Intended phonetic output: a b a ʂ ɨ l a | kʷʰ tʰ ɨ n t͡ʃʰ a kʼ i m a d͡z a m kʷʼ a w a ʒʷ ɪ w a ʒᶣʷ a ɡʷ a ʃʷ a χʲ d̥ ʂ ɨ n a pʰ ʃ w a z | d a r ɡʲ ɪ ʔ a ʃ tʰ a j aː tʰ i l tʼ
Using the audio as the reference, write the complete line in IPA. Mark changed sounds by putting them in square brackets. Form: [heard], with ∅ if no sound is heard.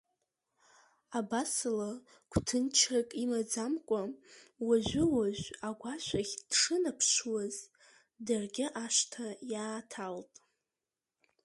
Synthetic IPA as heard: a b a [s] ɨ l a | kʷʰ tʰ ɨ n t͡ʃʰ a kʼ i m a d͡z a m kʷʼ a w a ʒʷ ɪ w a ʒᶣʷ a ɡʷ a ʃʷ a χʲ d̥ ʂ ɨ n a pʰ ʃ w a z | d a r ɡʲ ɪ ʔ a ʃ tʰ a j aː tʰ [a] l tʼ